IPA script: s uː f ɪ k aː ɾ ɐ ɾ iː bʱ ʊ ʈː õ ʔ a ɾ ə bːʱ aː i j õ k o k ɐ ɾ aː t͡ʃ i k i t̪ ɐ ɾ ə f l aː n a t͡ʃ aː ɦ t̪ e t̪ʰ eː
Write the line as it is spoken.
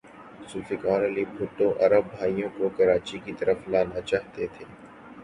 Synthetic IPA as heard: s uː f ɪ k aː ɾ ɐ l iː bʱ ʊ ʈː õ ʔ ɐ ɾ ə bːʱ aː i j õ k o k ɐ ɾ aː t͡ʃ i k i t̪ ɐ ɾ ə f l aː n a t͡ʃ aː ɦ t̪ e t̪ʰ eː

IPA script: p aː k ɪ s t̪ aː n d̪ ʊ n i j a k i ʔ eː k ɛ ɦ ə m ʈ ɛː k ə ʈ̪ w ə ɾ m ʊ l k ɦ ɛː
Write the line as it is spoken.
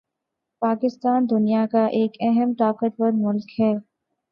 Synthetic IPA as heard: p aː k ɪ s t̪ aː n d̪ ʊ n i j a k a ʔ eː k ɛ ɦ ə m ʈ aː k ə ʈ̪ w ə ɾ m ʊ l k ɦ ɛː

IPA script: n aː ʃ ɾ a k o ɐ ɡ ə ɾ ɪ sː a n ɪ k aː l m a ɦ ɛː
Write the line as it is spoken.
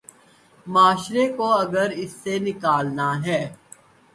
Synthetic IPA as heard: m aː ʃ ɾ e k o ɐ ɡ ə ɾ ɪ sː e n ɪ k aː l n a ɦ ɛː

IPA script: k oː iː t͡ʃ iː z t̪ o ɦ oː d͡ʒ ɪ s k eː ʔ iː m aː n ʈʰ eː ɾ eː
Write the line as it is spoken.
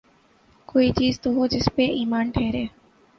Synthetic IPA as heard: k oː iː t͡ʃ iː z t̪ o ɦ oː d͡ʒ ɪ s p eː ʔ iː m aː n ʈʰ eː ɾ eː

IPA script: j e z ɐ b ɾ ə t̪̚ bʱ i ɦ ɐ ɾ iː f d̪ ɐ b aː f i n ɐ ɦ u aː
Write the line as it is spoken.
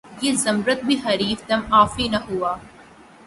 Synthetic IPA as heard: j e z ɐ m ɾ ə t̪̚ bʱ i ɦ ɐ ɾ iː f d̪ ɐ m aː f i n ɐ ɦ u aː

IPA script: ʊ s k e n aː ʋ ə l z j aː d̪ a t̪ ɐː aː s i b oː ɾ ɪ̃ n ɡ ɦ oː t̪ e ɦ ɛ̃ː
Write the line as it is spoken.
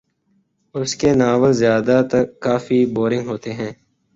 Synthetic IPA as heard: ʊ s k e n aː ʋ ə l z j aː d̪ a t̪ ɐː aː f i b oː ɾ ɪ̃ ŋ ɡ ɦ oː t̪ e ɦ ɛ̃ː

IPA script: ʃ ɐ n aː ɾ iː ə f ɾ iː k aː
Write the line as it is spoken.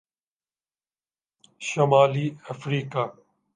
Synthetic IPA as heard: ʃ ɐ m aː l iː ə f ɾ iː k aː

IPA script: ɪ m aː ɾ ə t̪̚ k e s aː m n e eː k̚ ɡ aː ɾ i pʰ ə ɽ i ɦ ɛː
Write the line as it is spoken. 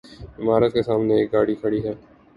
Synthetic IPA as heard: ɪ m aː ɾ ə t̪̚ k e s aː m n e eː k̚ ɡ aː ɽ i kʰ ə ɽ i ɦ ɛː

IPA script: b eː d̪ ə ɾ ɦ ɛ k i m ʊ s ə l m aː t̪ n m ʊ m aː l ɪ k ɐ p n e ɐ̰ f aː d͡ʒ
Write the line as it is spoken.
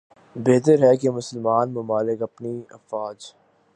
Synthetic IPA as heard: b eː t̪ ə ɾ ɦ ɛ k e m ʊ s ə l m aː n m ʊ m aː l ɪ k ɐ p n i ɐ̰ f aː d͡ʒ

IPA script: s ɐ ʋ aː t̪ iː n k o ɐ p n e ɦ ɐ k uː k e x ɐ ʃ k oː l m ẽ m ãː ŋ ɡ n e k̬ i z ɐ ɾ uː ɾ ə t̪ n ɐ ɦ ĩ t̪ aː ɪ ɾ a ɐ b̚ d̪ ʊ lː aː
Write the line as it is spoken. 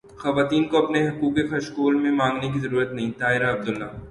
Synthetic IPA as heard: x ɐ ʋ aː t̪ iː n k o ɐ p n e ɦ ɐ k uː k e x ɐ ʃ k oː l m ẽ m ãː ŋ ɡ n e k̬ i z ɐ ɾ uː ɾ ə t̪ n ɐ ɦ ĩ t̪ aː ɪ ɾ a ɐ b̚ d̪ ʊ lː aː

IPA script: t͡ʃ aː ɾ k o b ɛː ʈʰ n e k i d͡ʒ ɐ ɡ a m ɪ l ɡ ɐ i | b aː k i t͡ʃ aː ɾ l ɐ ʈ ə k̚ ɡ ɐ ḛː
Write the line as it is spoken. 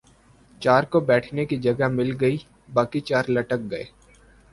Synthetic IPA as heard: t͡ʃ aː ɾ k o b ɛː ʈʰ n e k i d͡ʒ ɐ ɡ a m ɪ l ɡ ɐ i | b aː k i t͡ʃ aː ɾ l ɐ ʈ ə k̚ ɡ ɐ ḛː

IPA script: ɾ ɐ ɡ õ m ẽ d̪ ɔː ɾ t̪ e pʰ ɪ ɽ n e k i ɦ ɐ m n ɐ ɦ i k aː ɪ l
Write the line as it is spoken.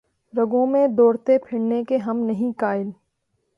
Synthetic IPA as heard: ɾ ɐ ɡ õ m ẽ d̪ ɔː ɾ t̪ e pʰ ɪ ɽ n e k e ɦ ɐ m n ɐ ɦ ĩ k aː ɪ l

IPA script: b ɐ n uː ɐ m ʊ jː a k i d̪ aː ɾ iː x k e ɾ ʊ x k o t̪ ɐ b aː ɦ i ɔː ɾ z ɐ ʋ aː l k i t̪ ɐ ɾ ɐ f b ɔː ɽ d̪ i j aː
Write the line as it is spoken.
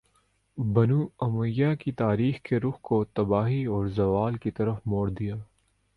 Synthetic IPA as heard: b ɐ n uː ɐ m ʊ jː a k i t̪ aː ɾ iː x k e ɾ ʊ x k o t̪ ɐ b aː ɦ i ɔː ɾ z ɐ ʋ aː l k i t̪ ɐ ɾ ə f m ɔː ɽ d̪ i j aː

